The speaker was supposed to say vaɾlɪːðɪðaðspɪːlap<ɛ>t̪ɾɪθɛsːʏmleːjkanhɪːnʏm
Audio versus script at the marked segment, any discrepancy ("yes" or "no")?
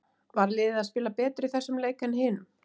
yes